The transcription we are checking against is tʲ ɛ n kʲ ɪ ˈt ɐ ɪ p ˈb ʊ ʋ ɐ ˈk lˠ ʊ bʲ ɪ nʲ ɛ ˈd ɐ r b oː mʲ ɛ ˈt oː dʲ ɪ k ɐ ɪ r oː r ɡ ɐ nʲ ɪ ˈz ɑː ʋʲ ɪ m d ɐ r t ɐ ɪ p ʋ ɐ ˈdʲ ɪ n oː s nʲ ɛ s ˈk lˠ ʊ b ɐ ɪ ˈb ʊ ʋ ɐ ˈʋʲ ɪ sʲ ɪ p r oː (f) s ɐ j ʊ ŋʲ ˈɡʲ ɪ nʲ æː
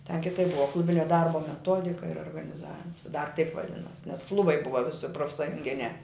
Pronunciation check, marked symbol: correct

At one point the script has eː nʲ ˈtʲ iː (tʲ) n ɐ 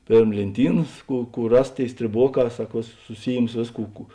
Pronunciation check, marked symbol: incorrect: none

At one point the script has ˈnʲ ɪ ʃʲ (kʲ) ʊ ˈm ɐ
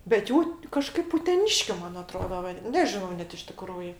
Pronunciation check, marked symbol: correct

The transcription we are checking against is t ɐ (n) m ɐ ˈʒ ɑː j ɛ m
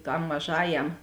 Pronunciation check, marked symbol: incorrect: m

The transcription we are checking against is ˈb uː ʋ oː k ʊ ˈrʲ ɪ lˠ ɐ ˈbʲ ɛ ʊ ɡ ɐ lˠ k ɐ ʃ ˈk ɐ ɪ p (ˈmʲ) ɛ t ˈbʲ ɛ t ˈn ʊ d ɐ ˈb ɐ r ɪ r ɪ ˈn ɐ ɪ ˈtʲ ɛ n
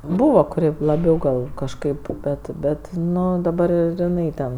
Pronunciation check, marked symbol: incorrect: bʲ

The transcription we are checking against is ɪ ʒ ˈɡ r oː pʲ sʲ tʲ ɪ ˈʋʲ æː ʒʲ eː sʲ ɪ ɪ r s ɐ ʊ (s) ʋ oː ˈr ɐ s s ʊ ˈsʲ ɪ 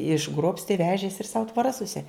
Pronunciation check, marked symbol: incorrect: t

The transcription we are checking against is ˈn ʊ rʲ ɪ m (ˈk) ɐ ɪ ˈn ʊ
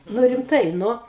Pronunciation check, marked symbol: incorrect: t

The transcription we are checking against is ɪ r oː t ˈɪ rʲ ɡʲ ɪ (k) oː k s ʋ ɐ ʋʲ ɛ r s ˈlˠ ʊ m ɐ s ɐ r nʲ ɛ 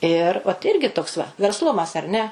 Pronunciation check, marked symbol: incorrect: t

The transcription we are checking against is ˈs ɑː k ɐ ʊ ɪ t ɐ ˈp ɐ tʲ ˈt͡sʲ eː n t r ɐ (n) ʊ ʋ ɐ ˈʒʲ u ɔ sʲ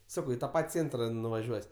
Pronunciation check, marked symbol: correct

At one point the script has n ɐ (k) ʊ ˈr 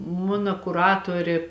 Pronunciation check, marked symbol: correct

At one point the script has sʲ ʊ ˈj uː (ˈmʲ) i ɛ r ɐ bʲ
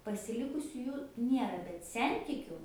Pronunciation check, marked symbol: incorrect: nʲ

